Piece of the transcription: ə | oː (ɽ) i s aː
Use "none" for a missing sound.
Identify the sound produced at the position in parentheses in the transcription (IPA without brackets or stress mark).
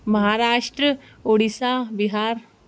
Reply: ɽ